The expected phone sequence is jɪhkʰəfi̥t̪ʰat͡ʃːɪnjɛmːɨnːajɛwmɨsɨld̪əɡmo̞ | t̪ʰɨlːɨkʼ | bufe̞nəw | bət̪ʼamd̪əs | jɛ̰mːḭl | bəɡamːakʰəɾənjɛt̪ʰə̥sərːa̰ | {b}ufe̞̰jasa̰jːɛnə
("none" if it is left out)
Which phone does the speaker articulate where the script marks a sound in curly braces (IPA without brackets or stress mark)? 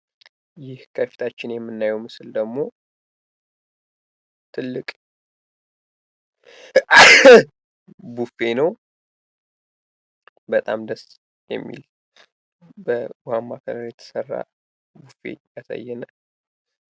b